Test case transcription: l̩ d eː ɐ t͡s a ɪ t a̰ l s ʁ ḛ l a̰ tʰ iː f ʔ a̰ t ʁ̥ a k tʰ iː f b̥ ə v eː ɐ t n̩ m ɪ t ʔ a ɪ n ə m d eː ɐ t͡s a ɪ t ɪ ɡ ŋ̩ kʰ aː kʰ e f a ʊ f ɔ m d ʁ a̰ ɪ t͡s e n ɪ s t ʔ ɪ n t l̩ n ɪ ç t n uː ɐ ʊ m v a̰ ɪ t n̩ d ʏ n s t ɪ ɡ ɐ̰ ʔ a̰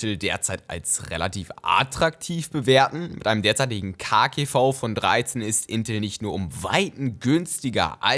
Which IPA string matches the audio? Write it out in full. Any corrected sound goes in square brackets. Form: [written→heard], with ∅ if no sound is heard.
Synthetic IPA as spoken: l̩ d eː ɐ t͡s a ɪ t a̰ l s ʁ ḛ l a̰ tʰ iː f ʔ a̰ t ʁ̥ a k tʰ iː f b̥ ə v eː ɐ t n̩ m ɪ t ʔ a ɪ n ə m d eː ɐ t͡s a ɪ t ɪ ɡ ŋ̩ kʰ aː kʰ e f a ʊ f ɔ [m→n] d ʁ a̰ ɪ t͡s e n ɪ s t ʔ ɪ n t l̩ n ɪ ç t n uː ɐ ʊ m v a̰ ɪ t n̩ [d→ɡ] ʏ n s t ɪ ɡ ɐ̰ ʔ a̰